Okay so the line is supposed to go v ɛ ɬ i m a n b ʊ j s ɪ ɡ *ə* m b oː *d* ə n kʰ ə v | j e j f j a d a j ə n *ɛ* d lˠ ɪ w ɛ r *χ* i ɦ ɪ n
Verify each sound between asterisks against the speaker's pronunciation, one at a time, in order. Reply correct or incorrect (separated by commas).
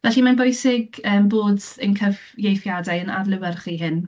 incorrect, correct, incorrect, correct